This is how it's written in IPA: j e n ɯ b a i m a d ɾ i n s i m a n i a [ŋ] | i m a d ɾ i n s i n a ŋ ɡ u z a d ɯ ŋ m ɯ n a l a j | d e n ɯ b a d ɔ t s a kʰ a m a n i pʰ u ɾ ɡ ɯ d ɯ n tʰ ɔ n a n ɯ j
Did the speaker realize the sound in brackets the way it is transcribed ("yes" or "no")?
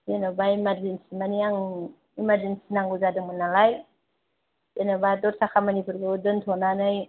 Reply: yes